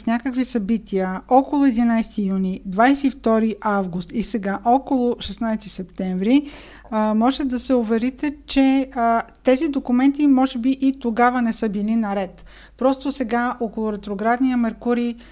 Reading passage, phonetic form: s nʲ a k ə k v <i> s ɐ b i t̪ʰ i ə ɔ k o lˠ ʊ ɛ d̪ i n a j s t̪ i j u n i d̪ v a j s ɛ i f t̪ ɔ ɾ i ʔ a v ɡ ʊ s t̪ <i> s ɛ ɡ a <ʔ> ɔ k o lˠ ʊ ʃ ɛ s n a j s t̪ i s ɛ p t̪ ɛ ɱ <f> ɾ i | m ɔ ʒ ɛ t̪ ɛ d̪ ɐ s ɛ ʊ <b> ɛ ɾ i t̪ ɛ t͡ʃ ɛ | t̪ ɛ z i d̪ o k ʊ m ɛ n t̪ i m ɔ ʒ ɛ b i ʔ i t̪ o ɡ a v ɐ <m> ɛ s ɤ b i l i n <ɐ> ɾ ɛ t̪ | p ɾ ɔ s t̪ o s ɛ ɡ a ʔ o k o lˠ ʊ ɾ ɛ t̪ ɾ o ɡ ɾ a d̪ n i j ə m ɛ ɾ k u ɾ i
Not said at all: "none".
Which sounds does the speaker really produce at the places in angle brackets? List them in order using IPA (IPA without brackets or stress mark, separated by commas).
i, i, ʔ, v, v, n, ɐ